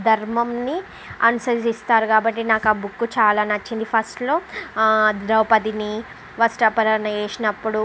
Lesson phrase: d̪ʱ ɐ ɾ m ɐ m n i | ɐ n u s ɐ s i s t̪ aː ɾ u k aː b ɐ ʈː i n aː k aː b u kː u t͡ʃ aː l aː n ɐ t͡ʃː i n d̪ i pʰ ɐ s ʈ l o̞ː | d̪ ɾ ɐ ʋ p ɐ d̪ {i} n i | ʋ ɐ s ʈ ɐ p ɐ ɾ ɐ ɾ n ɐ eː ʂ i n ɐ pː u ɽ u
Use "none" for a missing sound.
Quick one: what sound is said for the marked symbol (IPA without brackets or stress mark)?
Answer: i